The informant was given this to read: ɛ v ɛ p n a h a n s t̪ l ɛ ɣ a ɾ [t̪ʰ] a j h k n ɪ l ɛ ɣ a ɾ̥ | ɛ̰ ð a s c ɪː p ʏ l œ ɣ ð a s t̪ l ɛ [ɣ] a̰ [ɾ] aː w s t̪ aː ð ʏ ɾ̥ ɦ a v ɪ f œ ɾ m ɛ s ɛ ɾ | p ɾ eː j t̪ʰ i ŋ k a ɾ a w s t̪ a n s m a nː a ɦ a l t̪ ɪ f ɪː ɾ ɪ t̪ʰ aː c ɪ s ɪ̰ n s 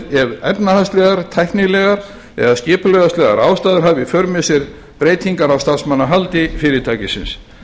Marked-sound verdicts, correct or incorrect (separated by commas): correct, correct, correct